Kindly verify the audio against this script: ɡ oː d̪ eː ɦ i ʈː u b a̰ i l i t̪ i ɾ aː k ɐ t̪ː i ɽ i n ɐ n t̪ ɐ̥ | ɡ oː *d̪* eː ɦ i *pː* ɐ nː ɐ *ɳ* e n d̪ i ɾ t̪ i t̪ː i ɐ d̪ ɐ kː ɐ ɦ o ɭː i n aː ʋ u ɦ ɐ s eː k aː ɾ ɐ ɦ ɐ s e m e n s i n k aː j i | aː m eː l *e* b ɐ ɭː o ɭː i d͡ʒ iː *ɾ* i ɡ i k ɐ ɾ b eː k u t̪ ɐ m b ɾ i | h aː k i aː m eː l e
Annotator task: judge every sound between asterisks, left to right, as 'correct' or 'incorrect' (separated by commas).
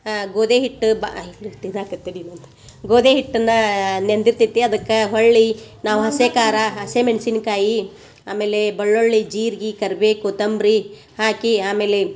correct, incorrect, incorrect, correct, correct